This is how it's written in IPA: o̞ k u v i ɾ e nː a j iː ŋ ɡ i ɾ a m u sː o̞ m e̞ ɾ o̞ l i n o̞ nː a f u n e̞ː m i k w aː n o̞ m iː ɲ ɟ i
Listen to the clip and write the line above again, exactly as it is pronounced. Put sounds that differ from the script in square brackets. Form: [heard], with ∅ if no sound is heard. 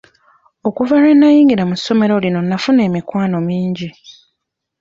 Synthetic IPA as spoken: o̞ k u v [a] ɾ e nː a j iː ŋ ɡ i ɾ a m u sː o̞ m e̞ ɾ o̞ l i n o̞ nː a f u n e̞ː m i k w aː n o̞ m iː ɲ ɟ i